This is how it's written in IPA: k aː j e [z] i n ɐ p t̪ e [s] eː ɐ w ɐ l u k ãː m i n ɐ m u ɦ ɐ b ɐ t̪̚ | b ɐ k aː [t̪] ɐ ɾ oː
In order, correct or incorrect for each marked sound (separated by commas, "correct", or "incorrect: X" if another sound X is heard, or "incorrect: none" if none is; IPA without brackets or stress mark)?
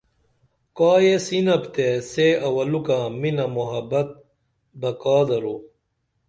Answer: incorrect: s, correct, incorrect: d̪